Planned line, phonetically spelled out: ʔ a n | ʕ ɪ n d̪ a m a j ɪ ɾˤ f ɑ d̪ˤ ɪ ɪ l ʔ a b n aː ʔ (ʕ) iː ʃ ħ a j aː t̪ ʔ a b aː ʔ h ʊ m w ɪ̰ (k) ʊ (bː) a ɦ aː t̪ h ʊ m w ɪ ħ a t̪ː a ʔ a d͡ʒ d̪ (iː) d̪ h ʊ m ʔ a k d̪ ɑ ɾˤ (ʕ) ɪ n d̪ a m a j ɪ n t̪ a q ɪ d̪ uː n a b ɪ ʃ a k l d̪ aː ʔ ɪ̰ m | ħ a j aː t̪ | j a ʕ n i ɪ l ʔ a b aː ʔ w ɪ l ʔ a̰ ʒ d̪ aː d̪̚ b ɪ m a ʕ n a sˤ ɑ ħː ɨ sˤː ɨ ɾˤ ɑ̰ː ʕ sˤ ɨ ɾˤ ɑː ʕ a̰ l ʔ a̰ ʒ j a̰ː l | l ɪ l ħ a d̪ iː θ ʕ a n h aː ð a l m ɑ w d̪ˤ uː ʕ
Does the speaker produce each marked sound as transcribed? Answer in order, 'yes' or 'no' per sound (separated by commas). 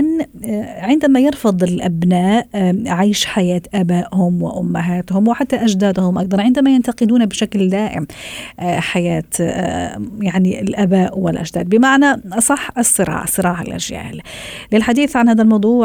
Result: yes, no, no, no, yes